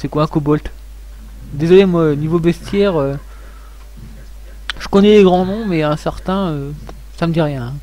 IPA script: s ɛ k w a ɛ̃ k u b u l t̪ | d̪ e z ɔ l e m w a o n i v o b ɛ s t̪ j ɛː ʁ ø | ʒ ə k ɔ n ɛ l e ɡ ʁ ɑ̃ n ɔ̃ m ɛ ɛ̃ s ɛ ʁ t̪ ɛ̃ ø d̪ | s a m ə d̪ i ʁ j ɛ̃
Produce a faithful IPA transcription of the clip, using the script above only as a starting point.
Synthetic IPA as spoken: s ɛ k w a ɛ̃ k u b ɔ l t̪ | d̪ e z ɔ l e m w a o n i v o b ɛ s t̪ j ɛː ʁ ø | ʒ ə k ɔ n ɛ l e ɡ ʁ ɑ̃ n ɔ̃ m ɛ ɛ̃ s ɛ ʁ t̪ ɛ̃ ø | s a m ə d̪ i ʁ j ɛ̃